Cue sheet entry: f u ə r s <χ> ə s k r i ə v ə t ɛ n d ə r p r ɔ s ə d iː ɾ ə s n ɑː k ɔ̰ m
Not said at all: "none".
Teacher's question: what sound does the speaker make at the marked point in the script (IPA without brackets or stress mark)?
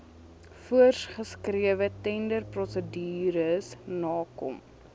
χ